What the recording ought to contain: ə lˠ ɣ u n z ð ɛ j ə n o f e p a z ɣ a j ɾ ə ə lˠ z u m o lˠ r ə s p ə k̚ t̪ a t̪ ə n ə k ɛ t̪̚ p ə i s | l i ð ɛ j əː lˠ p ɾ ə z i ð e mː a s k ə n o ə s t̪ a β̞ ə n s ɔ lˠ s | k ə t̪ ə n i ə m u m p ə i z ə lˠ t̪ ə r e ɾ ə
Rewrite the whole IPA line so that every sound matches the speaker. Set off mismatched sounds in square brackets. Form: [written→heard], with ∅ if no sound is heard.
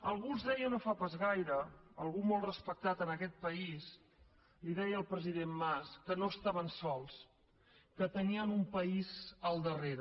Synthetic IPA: ə lˠ ɣ u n z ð ɛ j ə n o f [e→a] p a z ɣ a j ɾ ə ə lˠ [z→ɣ] u m o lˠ r ə s p ə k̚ t̪ a t̪ ə n ə k ɛ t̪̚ p ə i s | l i ð ɛ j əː lˠ p ɾ ə z i ð e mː a s k ə n o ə s t̪ a β̞ ə n s ɔ lˠ s | k ə t̪ ə n i ə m u m p ə i z ə lˠ [t̪→d̪] ə r e ɾ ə